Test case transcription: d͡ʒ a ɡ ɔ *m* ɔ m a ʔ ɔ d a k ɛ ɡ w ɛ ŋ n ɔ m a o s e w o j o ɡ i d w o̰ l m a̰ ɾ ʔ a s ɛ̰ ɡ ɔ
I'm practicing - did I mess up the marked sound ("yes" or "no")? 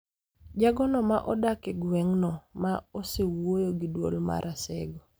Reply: yes